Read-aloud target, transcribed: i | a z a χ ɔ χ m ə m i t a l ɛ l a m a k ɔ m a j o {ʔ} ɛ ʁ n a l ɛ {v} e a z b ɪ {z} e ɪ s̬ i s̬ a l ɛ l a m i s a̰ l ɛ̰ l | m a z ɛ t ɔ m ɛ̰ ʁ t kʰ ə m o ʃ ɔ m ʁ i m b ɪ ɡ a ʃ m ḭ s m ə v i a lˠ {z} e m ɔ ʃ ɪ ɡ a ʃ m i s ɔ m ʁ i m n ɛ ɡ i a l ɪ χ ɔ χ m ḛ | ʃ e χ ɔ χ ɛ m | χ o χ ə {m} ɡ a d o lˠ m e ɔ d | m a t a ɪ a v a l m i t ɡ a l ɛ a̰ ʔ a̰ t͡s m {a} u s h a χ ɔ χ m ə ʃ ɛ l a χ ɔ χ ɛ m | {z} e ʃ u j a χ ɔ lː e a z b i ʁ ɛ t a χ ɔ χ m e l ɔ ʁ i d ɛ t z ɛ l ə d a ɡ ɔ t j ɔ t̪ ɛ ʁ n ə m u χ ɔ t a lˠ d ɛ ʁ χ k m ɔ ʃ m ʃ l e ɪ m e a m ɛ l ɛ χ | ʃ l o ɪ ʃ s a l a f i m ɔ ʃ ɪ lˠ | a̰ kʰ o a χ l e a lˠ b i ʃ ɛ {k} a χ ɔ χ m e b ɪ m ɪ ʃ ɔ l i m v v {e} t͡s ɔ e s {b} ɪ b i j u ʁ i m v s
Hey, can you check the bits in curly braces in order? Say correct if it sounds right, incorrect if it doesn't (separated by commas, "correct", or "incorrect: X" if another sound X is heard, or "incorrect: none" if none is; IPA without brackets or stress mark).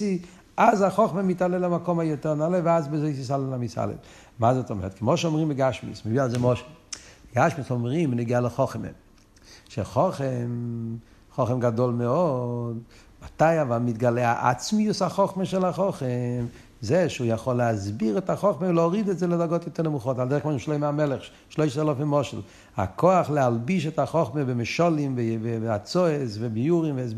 incorrect: t, correct, correct, correct, correct, incorrect: i, correct, incorrect: t, incorrect: a, incorrect: v